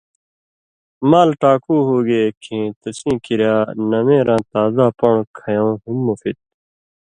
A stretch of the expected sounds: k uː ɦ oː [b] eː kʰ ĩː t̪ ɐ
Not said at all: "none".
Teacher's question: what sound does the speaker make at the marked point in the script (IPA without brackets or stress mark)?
ɡ